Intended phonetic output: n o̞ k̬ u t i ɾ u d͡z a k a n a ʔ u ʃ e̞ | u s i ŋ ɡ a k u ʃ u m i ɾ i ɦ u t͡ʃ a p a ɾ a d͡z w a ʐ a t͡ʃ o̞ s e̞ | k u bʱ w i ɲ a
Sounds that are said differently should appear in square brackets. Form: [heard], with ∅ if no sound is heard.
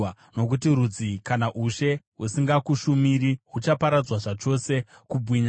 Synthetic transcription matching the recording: n o̞ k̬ u t i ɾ u d͡z [i] k a n a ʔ u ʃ e̞ | u s i ŋ ɡ a k u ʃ u m i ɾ i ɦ u t͡ʃ a p a ɾ a d͡z w a ʐ a t͡ʃ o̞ s e̞ | k u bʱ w i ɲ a